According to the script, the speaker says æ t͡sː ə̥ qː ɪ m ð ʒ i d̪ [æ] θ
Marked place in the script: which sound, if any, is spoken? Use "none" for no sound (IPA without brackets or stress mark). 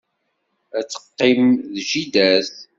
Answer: æ